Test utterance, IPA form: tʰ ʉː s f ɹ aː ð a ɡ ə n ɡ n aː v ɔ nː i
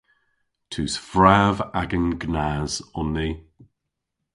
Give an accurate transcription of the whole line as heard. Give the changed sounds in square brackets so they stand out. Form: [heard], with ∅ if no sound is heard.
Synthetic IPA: tʰ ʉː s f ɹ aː [v] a ɡ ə n ɡ n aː [z] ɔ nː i